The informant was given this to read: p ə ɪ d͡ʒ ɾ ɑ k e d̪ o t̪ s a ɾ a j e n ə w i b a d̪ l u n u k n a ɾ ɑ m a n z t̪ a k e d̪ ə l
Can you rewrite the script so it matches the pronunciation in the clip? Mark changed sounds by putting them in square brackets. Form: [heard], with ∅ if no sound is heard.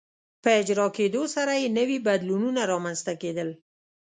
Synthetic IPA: p ə ɪ d͡ʒ ɾ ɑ k e d̪ o [∅] s a ɾ a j e n ə w i b a d̪ l u n u [∅] n a ɾ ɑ m a n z t̪ a k e d̪ ə l